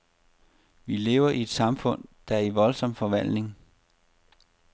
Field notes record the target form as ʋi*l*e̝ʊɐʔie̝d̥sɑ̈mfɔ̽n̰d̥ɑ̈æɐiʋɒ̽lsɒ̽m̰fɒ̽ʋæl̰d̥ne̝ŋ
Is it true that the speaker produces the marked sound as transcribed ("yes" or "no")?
yes